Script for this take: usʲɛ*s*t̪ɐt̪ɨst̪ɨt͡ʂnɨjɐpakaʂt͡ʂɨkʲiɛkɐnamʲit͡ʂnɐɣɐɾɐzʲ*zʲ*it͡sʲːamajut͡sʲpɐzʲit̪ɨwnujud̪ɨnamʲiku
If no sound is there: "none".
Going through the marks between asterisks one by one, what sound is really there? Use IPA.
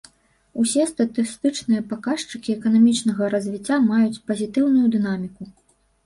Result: s, vʲ

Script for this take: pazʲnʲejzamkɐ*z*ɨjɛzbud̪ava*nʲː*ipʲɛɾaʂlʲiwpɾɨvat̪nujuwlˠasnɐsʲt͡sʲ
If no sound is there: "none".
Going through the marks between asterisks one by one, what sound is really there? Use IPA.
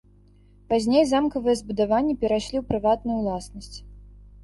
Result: v, nʲː

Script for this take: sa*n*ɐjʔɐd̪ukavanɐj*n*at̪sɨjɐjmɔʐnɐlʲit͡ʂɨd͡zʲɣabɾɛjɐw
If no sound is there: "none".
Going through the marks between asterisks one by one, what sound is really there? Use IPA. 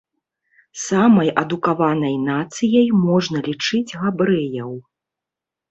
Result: m, n

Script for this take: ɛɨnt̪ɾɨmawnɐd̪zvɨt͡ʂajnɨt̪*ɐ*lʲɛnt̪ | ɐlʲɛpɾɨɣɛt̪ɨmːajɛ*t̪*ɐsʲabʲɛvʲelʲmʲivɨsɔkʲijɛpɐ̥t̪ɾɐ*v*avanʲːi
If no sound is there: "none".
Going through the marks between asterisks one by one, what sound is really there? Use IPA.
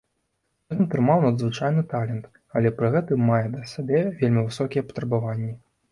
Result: a, d̪, b

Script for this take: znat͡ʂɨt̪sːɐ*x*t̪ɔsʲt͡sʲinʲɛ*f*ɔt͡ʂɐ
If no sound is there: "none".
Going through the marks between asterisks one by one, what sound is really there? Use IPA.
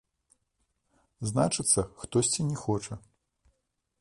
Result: x, x

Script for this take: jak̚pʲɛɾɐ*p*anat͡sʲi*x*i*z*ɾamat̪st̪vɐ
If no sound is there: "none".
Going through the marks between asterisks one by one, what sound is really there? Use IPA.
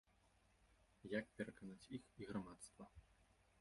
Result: k, x, ɣ

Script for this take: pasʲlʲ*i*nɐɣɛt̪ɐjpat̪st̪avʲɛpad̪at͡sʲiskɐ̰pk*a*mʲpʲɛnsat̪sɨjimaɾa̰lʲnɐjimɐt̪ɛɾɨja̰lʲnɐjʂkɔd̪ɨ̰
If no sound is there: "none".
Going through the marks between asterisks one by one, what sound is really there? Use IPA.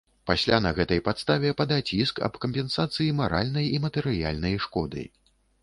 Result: a, ɐ

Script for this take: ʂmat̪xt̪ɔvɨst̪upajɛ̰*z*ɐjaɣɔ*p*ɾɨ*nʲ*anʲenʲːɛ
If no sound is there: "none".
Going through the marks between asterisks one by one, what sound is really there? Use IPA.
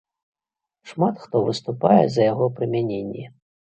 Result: z, p, mʲ

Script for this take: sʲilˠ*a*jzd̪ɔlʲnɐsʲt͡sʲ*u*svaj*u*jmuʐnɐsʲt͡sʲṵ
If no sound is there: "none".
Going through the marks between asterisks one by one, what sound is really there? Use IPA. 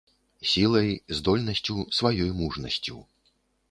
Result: ɐ, u, ɔ

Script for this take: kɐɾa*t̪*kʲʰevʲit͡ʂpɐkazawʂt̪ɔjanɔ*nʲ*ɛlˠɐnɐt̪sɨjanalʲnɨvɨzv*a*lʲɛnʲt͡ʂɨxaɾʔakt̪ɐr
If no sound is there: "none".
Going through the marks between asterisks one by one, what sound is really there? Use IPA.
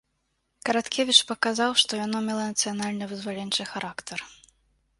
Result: t̪, mʲ, a

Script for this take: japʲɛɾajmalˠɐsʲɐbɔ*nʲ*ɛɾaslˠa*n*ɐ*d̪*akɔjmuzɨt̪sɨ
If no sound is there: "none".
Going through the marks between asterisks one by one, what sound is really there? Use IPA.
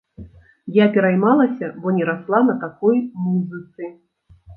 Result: nʲ, n, t̪

